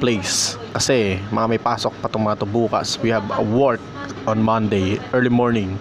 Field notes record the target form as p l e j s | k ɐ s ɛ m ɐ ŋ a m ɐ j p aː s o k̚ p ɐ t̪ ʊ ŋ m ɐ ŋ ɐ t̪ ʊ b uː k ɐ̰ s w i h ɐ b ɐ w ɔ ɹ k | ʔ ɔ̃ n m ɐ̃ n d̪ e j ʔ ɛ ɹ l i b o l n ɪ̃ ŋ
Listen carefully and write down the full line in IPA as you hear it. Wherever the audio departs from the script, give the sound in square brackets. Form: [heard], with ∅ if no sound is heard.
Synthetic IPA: p l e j s | k ɐ s ɛ m ɐ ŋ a m ɐ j p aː s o k̚ p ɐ t̪ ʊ ŋ m ɐ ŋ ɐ t̪ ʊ b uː k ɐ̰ s w i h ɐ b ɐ w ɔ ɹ k | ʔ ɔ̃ n m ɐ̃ n d̪ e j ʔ ɛ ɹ l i [m] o [ɹ] n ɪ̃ ŋ